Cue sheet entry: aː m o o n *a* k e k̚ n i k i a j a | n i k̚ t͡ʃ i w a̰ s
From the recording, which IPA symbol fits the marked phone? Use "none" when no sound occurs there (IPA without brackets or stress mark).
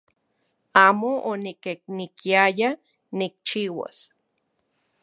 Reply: i